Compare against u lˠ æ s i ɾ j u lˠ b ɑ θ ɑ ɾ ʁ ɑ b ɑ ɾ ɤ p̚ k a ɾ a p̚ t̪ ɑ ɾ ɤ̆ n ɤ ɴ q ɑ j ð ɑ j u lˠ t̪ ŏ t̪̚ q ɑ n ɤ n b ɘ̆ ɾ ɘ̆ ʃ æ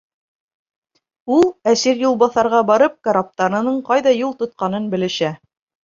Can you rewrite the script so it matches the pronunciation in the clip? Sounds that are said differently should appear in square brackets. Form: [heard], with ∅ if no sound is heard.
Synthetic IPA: u lˠ æ s i ɾ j u lˠ b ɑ θ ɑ ɾ ʁ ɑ b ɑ ɾ ɤ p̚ k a ɾ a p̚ t̪ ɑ ɾ ɤ̆ n ɤ ɴ q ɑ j ð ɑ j u lˠ t̪ ŏ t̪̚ q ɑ n ɤ n b ɘ̆ [l] ɘ̆ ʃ æ